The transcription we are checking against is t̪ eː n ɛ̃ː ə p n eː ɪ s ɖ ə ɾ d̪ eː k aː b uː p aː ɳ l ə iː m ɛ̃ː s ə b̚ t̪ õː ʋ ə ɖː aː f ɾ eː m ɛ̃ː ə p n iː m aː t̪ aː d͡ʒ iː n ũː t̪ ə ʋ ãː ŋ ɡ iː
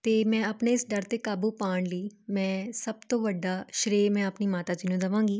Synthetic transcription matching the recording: t̪ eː m ɛ̃ː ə p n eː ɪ s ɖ ə ɾ t̪ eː k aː b uː p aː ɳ l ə iː m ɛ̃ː s ə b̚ t̪ õː ʋ ə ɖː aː ʃ ɾ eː m ɛ̃ː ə p n iː m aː t̪ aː d͡ʒ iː n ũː d̪ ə ʋ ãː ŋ ɡ iː

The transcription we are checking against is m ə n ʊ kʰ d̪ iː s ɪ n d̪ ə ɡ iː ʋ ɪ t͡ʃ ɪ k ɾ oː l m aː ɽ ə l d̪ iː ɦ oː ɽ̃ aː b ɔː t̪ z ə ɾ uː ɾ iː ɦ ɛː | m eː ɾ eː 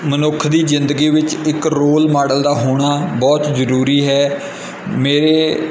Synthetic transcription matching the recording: m ə n ʊ kʰ d̪ iː z ɪ n d̪ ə ɡ iː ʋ ɪ t͡ʃ ɪ k ɾ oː l m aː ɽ ə l d̪ aː ɦ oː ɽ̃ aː b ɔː t̪ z ə ɾ uː ɾ iː ɦ ɛː | m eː ɾ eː

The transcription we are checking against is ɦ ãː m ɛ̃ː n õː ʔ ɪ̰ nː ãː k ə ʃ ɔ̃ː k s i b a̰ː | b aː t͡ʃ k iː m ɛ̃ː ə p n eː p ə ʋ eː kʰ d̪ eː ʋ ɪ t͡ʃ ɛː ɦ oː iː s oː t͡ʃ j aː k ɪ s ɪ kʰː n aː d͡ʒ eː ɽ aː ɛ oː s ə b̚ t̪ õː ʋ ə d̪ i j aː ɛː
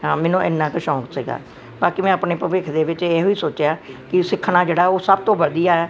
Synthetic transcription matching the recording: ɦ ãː m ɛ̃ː n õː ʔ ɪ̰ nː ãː k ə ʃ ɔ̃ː k s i ɡ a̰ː | b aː k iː m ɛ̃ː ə p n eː p ə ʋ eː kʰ d̪ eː ʋ ɪ t͡ʃ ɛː ɦ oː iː s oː t͡ʃ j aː k ɪ s ɪ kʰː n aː d͡ʒ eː ɽ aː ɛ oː s ə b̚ t̪ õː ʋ ə d̪ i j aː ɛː

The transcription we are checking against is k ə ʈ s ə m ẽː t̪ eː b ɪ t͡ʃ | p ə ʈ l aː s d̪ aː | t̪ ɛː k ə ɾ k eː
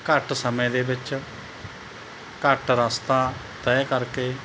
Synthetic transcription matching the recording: k ə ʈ s ə m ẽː d̪ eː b ɪ t͡ʃ | k ə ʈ ɾ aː s t̪ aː | t̪ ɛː k ə ɾ k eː

